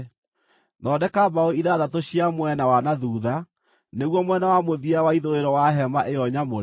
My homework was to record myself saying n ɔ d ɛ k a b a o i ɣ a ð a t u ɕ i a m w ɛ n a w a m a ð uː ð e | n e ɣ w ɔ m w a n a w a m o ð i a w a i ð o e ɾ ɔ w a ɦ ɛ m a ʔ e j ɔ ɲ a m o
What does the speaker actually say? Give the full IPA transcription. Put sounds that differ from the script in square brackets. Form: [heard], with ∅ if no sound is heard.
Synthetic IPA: n ɔ d ɛ k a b a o i [ð] a ð a t [o] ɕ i a m w ɛ n a w a [n] a ð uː ð [a] | n e ɣ w ɔ m w [ɛ] n a w a m o ð i a w a i ð o e ɾ ɔ w a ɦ ɛ m a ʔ e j ɔ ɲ a m o